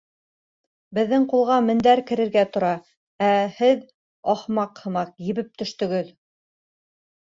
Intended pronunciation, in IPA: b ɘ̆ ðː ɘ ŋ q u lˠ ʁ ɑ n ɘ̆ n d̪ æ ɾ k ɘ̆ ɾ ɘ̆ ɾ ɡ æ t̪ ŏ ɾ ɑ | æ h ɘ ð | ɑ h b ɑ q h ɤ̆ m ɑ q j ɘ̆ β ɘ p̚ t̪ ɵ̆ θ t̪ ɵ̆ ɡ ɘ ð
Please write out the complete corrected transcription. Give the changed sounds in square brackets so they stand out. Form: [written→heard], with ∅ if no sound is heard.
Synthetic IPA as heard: b ɘ̆ ðː ɘ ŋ q u lˠ ʁ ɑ [n→m] ɘ̆ n d̪ æ ɾ k ɘ̆ ɾ ɘ̆ ɾ ɡ æ t̪ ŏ ɾ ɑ | æ h ɘ ð | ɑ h [b→m] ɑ q h ɤ̆ m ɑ q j ɘ̆ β ɘ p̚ t̪ ɵ̆ [θ→ʃ] t̪ ɵ̆ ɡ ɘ ð